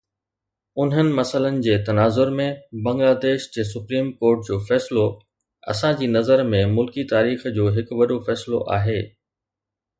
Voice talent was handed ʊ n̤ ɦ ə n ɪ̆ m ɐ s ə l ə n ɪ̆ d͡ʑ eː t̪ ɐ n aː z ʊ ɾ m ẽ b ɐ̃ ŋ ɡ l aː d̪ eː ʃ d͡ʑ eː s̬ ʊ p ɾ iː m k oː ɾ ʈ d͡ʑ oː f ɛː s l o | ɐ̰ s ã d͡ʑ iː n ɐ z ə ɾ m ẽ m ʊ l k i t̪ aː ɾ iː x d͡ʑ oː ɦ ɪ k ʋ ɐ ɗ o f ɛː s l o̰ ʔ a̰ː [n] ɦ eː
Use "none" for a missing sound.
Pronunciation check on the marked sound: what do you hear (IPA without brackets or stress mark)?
none